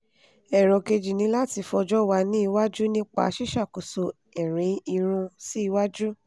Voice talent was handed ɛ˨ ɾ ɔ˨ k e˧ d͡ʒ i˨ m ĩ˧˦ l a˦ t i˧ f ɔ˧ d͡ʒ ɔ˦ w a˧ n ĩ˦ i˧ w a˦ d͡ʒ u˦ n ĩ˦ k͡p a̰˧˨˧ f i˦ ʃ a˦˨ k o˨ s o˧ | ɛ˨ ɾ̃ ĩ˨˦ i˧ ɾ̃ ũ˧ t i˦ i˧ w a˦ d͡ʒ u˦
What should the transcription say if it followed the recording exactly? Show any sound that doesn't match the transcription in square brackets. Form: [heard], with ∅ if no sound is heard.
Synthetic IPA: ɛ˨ ɾ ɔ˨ k e˧ d͡ʒ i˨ [n] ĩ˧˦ l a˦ t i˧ f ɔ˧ d͡ʒ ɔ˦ w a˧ n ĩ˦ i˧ w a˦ d͡ʒ u˦ n ĩ˦ k͡p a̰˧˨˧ [ʃ] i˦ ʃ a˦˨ k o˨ s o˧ | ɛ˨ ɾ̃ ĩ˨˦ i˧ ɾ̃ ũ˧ [s] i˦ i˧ w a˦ d͡ʒ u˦